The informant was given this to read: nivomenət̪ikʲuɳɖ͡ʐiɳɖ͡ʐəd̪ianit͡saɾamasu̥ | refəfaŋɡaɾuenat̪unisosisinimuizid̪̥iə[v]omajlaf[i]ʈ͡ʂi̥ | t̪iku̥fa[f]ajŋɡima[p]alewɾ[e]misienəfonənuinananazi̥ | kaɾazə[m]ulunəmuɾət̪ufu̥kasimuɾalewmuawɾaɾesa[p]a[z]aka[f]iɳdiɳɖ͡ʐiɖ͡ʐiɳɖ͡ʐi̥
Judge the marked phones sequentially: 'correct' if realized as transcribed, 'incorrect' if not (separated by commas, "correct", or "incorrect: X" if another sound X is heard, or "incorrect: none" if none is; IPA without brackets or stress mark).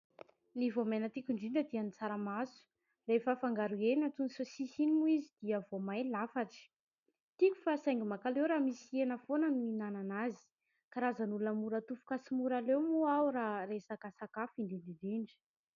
correct, incorrect: a, incorrect: s, incorrect: k, incorrect: a, incorrect: n, incorrect: k, incorrect: s, correct